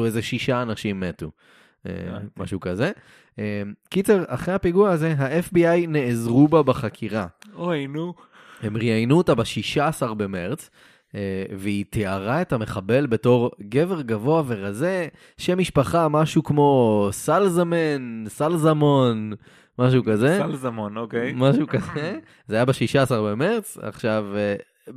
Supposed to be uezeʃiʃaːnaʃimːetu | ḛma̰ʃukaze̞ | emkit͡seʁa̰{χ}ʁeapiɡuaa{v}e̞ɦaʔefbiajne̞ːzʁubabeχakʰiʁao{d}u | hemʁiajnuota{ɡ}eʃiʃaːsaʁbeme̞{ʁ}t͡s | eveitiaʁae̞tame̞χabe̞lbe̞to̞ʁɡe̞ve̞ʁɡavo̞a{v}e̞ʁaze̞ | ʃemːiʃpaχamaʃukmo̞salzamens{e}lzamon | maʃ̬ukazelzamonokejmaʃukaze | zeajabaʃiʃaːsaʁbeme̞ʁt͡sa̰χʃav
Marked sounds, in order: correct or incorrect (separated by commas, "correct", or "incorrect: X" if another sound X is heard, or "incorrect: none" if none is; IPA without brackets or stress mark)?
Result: correct, incorrect: z, incorrect: n, incorrect: b, correct, correct, incorrect: a